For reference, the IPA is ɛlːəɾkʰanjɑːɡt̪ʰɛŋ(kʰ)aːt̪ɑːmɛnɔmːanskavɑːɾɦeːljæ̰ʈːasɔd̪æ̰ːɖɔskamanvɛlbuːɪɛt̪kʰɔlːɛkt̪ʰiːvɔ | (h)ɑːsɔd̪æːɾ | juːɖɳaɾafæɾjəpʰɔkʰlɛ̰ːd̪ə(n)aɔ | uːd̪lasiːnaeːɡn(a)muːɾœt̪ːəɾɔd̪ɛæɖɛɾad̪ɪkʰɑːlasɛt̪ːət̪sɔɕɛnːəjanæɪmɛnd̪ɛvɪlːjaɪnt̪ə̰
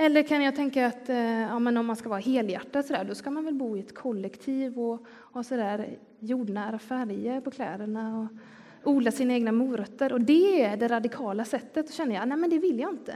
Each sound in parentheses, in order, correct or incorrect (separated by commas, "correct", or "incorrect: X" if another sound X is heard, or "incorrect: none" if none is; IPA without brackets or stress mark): incorrect: k, correct, incorrect: ɳ, correct